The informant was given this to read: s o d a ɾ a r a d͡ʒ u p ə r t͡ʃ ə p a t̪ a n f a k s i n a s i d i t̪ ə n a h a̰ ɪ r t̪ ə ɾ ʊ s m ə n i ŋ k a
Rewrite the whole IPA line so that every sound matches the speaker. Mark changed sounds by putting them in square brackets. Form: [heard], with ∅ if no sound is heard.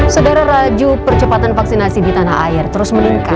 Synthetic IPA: s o d a ɾ a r a d͡ʒ u p ə r t͡ʃ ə p a t̪ a n f a k s i n a s i d i t̪ [a] n a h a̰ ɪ r t̪ ə ɾ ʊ s m ə n i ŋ k a